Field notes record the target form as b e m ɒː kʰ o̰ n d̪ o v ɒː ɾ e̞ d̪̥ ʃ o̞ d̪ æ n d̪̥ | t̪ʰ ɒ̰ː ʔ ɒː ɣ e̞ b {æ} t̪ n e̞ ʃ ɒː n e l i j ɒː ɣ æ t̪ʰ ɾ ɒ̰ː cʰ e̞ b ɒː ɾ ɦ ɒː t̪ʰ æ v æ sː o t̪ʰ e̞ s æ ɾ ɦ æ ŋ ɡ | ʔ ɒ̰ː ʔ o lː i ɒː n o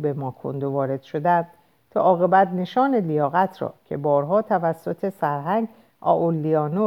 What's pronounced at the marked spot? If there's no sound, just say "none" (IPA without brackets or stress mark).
æ